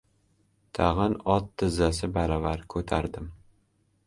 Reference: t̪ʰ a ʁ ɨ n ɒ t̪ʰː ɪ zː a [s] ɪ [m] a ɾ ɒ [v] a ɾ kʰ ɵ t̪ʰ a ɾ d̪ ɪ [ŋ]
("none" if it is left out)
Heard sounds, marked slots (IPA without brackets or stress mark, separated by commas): s, b, v, m